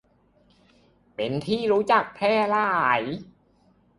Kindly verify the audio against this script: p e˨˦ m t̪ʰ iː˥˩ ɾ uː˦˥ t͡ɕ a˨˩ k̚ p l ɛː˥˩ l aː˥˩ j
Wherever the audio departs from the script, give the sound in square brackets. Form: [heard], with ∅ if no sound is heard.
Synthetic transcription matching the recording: p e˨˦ [n] t̪ʰ iː˥˩ ɾ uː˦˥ t͡ɕ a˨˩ k̚ [pʰ] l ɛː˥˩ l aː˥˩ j